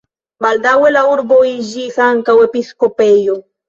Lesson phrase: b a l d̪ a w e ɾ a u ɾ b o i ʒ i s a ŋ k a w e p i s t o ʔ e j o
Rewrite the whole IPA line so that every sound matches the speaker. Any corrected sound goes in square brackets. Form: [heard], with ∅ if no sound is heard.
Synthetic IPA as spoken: b a l d̪ a w e [l] a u ɾ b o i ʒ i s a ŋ k a w e p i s [k] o [p] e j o